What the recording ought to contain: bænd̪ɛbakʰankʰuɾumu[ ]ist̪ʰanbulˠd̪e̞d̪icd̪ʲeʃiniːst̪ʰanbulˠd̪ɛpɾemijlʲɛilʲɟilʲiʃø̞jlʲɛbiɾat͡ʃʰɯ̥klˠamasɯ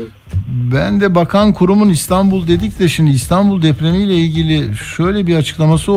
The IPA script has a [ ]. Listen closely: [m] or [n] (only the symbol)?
n